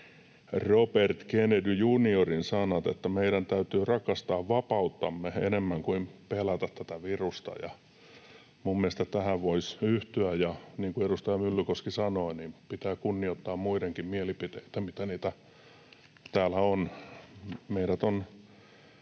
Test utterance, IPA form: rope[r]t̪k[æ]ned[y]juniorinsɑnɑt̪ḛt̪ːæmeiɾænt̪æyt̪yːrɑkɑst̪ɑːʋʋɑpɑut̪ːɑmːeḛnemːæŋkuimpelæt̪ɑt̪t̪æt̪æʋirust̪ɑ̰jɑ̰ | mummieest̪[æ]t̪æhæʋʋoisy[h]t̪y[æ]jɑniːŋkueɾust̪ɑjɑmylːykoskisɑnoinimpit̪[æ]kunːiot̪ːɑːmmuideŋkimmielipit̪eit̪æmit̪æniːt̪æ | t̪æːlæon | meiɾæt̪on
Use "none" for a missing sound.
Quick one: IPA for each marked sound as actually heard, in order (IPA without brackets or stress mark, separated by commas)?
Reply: r, e, y, æ, h, æ, æː